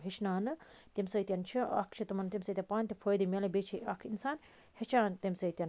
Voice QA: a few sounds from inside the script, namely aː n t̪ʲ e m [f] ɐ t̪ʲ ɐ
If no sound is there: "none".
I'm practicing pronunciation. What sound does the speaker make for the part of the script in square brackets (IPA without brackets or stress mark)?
s